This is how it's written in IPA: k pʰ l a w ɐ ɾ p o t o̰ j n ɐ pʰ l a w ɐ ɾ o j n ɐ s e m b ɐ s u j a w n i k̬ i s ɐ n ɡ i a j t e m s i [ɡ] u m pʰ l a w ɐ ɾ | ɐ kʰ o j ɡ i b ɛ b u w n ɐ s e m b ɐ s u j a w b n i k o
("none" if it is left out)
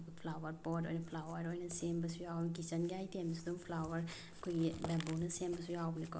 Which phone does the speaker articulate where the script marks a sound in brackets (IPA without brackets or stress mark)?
d